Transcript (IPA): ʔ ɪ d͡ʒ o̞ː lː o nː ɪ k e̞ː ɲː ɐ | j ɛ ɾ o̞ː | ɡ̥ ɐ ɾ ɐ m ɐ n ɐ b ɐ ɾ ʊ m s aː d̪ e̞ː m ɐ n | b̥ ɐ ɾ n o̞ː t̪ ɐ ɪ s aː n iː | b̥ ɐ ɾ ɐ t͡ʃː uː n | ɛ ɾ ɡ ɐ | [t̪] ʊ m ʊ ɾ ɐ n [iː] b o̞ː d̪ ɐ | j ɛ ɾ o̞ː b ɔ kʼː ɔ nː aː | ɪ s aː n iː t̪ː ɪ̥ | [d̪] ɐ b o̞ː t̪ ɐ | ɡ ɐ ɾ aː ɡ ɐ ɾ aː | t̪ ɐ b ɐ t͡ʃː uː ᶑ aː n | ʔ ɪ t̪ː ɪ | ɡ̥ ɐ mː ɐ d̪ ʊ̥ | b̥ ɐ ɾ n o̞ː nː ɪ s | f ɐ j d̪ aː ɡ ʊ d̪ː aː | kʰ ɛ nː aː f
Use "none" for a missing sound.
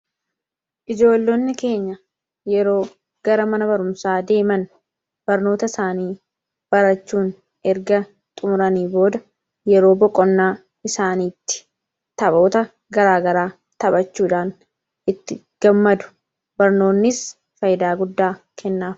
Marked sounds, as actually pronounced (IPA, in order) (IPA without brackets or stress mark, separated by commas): t̪ʼ, iː, t̪